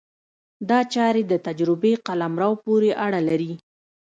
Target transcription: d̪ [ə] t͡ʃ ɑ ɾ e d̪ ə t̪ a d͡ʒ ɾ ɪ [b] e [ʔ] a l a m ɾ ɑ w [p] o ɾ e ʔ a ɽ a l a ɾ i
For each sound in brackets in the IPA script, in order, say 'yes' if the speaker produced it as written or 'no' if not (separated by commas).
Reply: no, yes, no, yes